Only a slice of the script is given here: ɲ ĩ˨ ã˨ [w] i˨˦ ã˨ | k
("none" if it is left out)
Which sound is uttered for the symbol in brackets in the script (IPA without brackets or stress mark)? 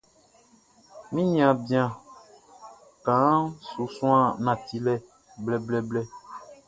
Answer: b